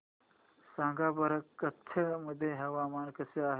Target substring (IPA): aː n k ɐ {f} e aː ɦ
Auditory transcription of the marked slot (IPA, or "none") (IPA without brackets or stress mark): s